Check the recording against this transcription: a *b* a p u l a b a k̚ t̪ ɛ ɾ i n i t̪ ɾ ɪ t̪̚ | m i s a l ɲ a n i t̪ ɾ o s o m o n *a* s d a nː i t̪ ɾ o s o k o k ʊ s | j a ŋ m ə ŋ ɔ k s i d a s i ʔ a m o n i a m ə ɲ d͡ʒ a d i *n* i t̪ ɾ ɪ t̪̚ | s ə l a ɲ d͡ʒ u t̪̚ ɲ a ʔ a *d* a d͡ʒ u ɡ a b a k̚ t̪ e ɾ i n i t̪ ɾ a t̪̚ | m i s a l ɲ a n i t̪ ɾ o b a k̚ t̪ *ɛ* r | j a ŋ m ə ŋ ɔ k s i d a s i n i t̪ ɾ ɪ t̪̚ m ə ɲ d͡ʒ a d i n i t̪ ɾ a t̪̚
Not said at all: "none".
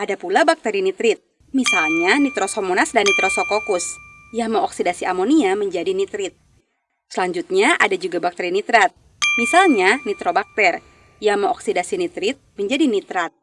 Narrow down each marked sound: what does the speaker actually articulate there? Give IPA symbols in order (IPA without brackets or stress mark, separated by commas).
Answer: d, a, n, d, ɛ